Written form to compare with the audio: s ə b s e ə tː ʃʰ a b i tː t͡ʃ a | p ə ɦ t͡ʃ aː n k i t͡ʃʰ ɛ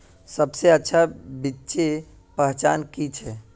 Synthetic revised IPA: s ə b s e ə tː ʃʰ a b i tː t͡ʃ e | p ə ɦ t͡ʃ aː n k i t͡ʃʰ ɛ